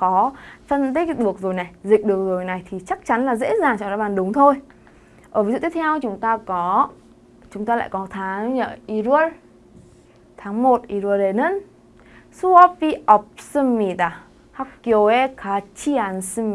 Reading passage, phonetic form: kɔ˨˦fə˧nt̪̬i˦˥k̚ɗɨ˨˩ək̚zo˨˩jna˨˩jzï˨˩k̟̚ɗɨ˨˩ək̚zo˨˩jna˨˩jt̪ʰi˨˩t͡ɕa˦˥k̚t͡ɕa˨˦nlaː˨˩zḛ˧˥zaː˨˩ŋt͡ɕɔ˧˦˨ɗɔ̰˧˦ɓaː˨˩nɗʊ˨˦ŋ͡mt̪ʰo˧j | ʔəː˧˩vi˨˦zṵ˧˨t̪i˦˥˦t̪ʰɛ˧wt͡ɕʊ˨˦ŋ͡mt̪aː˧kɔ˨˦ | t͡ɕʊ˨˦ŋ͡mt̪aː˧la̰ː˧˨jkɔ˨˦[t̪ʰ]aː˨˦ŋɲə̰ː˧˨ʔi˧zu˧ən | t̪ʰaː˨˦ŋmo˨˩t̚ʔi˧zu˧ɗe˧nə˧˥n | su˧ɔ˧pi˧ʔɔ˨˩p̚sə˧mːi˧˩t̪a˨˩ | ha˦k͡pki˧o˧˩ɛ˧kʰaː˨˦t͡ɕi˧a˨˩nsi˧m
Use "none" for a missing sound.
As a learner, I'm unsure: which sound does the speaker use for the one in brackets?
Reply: t̪ʰ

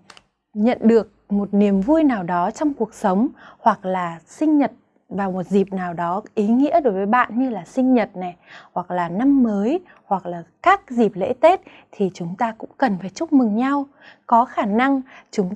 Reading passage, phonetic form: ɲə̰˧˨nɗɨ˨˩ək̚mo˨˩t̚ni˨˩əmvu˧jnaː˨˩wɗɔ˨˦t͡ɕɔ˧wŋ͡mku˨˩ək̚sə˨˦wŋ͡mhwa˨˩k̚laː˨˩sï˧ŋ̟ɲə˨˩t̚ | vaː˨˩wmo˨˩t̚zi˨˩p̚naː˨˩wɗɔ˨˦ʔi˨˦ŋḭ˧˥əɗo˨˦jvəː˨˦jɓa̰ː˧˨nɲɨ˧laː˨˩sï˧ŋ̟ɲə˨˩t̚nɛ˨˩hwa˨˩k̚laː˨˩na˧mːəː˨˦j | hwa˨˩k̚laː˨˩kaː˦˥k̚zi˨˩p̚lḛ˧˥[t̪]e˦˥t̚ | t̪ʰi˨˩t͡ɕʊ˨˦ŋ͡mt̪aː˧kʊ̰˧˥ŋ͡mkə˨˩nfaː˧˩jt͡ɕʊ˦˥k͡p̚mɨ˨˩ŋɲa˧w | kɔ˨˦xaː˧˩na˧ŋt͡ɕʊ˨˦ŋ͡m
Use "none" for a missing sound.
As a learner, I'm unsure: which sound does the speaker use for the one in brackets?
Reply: t̪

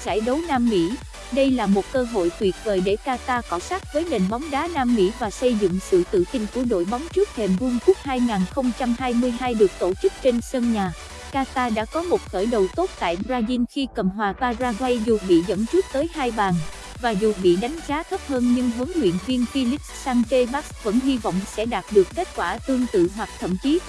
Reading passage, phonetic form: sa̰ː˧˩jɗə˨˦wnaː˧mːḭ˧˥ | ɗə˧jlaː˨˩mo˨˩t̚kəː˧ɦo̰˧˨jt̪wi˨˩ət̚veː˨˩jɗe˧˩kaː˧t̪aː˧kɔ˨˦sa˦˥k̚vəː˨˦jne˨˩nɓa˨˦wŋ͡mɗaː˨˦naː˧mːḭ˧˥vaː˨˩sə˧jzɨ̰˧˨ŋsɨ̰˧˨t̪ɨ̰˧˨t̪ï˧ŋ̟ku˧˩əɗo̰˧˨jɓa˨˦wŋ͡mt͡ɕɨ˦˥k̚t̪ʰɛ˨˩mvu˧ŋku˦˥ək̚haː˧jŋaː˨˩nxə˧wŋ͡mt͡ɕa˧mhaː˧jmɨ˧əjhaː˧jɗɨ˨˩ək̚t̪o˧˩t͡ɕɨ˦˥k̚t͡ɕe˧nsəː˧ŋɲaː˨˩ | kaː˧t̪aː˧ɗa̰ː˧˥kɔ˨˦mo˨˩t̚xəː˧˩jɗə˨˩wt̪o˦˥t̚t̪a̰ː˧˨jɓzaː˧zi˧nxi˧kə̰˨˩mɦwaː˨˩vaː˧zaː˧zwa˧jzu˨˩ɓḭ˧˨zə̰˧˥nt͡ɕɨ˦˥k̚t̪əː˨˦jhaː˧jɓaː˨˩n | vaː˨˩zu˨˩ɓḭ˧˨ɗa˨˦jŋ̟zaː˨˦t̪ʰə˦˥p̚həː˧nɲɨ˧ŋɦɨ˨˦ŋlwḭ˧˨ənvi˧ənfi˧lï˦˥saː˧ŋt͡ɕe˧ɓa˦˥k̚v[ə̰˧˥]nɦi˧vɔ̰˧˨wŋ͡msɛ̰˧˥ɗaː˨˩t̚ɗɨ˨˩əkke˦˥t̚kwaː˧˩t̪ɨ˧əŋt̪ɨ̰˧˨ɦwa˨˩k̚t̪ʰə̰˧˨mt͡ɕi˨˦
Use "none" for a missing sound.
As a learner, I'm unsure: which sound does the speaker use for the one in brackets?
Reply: ə̰˧˥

